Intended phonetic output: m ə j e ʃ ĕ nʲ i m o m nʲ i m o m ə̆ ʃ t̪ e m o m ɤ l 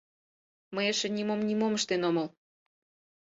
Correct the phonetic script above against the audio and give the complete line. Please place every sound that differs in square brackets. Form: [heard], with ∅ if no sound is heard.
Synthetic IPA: m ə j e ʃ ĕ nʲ i m o m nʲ i m o m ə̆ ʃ t̪ e [n] o m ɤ l